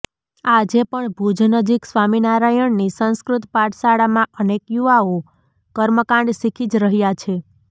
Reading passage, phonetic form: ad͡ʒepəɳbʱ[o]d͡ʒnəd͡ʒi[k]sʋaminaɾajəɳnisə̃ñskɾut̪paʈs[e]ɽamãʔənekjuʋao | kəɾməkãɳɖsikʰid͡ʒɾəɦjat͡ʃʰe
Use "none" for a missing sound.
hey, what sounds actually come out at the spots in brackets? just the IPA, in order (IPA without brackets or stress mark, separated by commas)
u, k, a